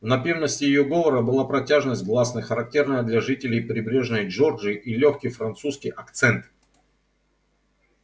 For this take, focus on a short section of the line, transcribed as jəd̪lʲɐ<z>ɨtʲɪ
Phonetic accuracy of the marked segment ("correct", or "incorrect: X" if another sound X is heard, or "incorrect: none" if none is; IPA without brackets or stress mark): incorrect: ʐ